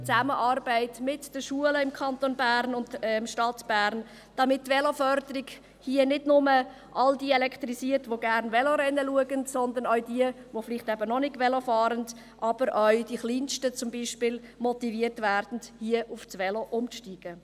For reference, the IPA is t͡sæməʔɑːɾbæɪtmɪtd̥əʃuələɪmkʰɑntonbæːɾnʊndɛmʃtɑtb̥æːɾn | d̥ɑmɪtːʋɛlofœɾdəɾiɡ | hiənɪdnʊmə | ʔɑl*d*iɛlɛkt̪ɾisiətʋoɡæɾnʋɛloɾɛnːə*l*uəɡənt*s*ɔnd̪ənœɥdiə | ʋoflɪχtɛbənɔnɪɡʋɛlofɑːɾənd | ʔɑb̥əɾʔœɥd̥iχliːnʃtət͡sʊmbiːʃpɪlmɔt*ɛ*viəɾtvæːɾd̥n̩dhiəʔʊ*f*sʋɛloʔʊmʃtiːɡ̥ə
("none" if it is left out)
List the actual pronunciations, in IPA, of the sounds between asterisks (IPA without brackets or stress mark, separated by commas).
d, l, s, i, f